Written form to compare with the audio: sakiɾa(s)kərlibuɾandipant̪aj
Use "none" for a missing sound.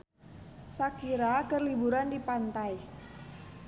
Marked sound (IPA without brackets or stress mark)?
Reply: none